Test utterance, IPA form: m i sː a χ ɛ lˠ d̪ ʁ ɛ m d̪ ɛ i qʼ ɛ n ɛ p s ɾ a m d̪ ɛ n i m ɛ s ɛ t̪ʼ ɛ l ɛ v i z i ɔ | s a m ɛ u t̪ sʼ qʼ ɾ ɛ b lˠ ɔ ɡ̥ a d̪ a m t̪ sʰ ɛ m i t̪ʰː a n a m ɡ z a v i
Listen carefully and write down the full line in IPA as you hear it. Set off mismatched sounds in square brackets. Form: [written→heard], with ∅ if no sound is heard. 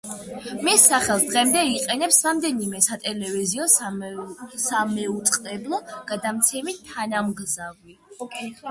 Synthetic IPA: m i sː a χ ɛ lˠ d̪ ʁ ɛ m d̪ ɛ i qʼ ɛ n ɛ p s ɾ a m d̪ ɛ n i m ɛ s [ɛ→a] t̪ʼ ɛ l ɛ v i z i ɔ | s a m ɛ u t̪ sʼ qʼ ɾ ɛ b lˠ ɔ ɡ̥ a d̪ a m t̪ sʰ ɛ m i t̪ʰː a n a m ɡ z a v i